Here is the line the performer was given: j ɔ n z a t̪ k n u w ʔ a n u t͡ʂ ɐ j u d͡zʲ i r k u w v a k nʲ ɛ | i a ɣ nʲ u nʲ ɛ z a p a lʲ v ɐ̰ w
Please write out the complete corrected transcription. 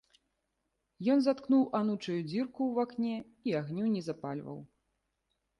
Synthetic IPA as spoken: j ɔ n z a t̪ k n u w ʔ a n u t͡ʂ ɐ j u d͡zʲ i r k u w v a k nʲ ɛ | i a ɣ nʲ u nʲ ɛ z a p a lʲ v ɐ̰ w